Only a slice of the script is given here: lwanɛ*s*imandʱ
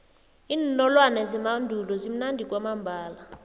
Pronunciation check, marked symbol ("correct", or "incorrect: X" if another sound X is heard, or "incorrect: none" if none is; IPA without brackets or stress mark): incorrect: z